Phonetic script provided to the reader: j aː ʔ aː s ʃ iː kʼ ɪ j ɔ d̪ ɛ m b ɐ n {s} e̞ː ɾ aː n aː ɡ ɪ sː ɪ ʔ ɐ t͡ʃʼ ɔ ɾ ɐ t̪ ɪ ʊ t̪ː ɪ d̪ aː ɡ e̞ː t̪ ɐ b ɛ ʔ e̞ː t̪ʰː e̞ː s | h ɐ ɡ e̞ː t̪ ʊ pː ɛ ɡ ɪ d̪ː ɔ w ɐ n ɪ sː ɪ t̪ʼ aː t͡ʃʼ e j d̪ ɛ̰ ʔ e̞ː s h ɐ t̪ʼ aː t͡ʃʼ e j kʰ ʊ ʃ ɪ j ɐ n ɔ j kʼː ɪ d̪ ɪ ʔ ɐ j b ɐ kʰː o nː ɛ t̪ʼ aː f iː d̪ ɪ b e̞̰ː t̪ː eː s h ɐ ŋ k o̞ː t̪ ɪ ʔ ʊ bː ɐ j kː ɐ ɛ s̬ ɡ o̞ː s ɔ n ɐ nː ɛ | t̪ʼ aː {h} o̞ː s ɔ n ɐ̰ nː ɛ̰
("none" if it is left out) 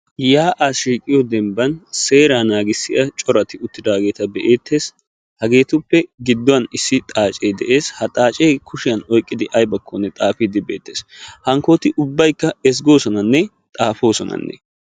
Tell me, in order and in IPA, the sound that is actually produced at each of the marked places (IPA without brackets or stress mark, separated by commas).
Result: s, f